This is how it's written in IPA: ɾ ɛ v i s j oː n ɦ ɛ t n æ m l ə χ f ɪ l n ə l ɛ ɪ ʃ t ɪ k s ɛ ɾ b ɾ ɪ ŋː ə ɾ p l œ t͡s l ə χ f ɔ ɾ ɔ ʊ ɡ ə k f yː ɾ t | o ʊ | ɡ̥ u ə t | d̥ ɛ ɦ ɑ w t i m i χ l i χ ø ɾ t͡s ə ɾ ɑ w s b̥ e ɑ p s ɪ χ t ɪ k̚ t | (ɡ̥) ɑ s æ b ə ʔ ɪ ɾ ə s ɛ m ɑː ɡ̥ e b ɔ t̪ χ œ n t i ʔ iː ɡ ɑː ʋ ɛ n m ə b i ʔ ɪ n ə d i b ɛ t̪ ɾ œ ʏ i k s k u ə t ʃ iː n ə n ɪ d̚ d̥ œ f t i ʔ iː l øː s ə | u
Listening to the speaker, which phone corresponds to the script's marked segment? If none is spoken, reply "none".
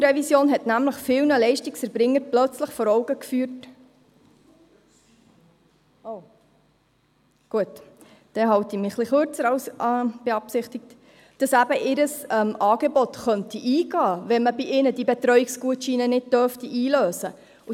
d̥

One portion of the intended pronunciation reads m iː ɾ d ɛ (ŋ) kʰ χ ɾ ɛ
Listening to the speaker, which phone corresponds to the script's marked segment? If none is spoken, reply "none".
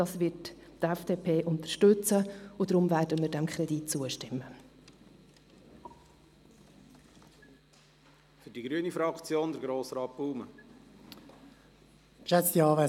m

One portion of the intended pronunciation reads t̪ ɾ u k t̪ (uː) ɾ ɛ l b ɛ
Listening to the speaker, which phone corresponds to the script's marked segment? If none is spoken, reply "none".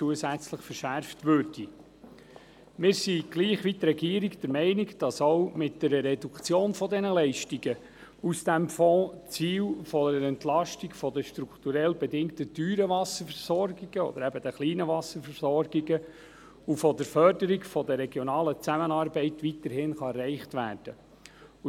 u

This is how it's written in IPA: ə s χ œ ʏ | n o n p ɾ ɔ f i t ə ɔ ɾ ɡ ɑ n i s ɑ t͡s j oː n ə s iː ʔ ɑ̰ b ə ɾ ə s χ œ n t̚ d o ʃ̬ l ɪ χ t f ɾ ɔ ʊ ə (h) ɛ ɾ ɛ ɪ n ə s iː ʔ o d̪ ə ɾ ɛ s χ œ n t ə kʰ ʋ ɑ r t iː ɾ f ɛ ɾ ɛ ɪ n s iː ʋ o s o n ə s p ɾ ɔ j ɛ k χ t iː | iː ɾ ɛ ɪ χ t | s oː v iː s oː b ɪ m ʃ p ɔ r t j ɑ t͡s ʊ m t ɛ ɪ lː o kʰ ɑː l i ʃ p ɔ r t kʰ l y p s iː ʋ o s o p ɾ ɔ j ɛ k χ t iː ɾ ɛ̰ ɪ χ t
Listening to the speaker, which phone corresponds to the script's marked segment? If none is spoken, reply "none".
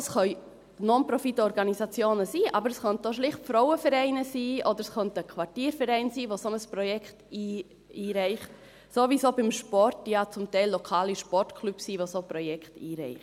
f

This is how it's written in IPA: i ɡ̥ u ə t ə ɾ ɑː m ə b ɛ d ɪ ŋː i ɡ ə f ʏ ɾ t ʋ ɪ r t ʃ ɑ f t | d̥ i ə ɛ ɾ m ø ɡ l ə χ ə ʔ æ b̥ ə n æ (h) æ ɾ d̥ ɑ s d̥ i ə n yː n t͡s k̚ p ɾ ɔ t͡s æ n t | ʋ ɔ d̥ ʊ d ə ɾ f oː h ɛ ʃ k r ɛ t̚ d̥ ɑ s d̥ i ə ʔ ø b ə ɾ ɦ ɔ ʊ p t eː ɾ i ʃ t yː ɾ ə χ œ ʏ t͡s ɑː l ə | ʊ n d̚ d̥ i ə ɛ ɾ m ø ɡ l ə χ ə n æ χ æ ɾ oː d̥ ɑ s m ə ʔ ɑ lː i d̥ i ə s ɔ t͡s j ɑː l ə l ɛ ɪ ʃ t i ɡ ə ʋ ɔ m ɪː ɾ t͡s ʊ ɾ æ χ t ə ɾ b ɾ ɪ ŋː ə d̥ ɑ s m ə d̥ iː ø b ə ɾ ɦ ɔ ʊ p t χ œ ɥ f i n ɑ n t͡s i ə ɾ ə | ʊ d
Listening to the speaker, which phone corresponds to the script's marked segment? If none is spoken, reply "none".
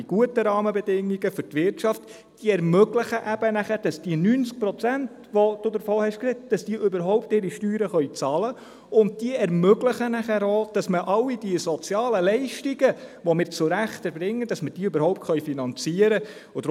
χ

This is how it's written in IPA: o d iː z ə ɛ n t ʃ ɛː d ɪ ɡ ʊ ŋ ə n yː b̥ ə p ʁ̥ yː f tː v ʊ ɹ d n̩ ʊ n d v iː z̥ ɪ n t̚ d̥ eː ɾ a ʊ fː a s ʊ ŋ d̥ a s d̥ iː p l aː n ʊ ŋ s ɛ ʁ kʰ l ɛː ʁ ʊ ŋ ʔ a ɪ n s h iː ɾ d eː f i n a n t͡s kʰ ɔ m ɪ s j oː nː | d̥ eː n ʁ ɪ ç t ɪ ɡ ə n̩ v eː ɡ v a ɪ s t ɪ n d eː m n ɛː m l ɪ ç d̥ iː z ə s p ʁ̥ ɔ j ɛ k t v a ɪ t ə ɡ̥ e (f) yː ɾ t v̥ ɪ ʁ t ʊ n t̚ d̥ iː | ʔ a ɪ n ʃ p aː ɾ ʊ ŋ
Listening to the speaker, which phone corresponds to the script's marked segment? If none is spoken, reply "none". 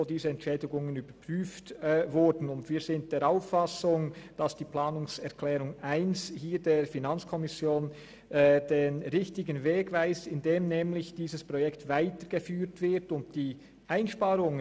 f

